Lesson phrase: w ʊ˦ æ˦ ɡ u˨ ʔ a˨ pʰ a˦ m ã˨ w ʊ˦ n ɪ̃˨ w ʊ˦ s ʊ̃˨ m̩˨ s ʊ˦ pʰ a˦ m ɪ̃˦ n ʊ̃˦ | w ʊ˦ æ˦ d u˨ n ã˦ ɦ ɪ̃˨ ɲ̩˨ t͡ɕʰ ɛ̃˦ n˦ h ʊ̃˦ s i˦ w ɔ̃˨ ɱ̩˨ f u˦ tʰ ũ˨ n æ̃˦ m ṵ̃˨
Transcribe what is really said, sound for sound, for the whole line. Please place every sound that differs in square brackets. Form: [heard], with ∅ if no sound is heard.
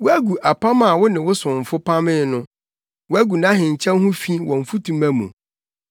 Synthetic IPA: w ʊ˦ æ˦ ɡ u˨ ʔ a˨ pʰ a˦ m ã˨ w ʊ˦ n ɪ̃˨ w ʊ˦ s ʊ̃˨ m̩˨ [f] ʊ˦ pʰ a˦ m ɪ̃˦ n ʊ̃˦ | w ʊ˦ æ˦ [ɡ] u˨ n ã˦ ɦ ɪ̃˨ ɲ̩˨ t͡ɕʰ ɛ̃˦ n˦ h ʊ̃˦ [f] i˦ w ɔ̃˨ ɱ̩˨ f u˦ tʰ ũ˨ [m] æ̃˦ m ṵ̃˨